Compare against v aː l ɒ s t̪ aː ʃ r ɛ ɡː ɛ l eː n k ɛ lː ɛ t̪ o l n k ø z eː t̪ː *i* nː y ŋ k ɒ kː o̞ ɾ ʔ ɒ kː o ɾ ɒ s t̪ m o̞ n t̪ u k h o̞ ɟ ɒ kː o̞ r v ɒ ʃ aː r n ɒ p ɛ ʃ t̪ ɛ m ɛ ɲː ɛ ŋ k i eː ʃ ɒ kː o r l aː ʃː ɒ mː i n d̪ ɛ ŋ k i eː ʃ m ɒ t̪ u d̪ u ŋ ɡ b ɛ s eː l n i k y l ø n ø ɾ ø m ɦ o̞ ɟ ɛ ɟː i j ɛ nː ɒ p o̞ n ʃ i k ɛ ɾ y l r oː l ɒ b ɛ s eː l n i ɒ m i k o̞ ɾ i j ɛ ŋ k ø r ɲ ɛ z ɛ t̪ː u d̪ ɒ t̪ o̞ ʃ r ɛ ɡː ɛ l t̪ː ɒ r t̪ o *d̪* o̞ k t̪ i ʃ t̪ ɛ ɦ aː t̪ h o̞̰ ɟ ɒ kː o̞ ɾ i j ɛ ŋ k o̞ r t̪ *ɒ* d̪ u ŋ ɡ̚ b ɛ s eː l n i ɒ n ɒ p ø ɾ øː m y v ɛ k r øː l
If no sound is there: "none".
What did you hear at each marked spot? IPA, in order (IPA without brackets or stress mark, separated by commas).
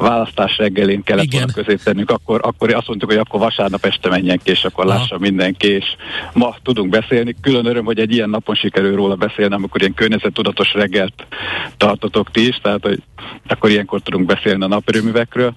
ɛ, t̪, u